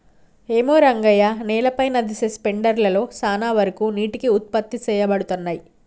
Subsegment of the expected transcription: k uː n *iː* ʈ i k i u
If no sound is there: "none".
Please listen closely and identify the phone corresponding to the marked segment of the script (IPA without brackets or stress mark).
iː